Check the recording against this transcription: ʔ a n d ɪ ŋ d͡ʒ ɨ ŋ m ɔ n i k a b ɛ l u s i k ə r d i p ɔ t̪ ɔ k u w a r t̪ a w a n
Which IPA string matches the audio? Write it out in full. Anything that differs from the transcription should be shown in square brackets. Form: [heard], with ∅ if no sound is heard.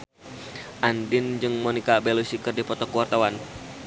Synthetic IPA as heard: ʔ a n d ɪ [n] d͡ʒ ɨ ŋ m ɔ n i k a b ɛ l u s i k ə r d i p ɔ t̪ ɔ k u w a r t̪ a w a n